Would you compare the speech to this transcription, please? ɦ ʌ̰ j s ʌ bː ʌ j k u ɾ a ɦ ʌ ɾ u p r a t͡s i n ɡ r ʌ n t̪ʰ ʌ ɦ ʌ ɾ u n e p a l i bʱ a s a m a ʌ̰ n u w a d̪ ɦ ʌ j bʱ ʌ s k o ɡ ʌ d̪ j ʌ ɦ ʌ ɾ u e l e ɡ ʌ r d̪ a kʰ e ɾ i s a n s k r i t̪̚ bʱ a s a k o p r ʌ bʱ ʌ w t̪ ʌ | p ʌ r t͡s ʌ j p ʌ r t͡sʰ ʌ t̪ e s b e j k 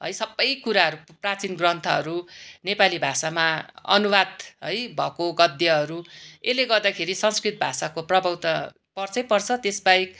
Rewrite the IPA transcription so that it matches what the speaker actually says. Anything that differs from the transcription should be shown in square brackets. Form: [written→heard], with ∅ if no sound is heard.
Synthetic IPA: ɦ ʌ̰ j s ʌ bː ʌ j k u ɾ a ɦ ʌ ɾ u p r a t͡s i n ɡ r ʌ n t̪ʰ ʌ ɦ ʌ ɾ u n e p a l i bʱ a s a m a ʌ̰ n u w a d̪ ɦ ʌ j bʱ ʌ [s→∅] k o ɡ ʌ d̪ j ʌ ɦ ʌ ɾ u e l e ɡ ʌ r d̪ a kʰ e ɾ i s [a→ʌ] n s k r i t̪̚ bʱ a s a k o p r ʌ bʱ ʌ w t̪ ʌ | p ʌ r t͡s ʌ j p ʌ r t͡sʰ ʌ t̪ e s b [e→a] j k